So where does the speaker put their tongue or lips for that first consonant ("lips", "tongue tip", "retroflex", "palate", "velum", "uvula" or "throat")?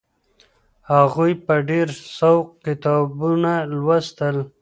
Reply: throat